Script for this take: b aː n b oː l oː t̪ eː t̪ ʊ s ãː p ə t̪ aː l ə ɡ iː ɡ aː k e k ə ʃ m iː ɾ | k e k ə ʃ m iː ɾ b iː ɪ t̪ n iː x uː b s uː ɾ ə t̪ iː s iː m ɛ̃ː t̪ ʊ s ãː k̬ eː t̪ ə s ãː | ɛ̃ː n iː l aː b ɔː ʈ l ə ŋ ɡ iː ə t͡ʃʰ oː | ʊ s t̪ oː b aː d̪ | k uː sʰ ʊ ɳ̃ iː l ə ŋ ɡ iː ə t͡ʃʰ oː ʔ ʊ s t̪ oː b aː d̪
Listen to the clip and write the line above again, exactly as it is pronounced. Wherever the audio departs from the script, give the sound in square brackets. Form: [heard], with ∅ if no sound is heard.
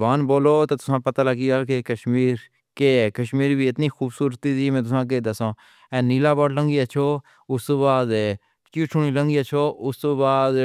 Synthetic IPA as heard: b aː n b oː l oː t̪ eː t̪ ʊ s ãː p ə t̪ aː l ə ɡ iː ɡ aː k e k ə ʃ m iː ɾ | k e k ə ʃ m iː ɾ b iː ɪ t̪ n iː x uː b s uː ɾ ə t̪ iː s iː m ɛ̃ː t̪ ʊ s ãː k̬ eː [d̪] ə s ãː | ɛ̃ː n iː l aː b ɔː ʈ l ə ŋ ɡ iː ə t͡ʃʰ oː | ʊ s t̪ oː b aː d̪ | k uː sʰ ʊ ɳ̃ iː l ə ŋ ɡ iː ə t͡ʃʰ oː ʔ ʊ s t̪ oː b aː d̪